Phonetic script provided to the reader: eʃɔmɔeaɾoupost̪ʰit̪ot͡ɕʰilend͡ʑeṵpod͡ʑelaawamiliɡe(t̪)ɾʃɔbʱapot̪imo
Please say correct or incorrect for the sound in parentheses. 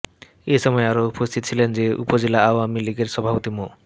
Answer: incorrect